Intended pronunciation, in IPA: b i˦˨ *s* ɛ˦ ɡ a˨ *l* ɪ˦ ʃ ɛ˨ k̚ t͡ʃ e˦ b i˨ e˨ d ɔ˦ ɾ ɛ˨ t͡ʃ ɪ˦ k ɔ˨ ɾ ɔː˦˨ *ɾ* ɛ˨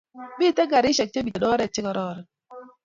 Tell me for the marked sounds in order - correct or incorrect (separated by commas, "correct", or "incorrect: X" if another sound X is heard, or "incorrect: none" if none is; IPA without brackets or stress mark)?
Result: incorrect: t, incorrect: ɾ, correct